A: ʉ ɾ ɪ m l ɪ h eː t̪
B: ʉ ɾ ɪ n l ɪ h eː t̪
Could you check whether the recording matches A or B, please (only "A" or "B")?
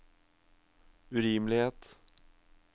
A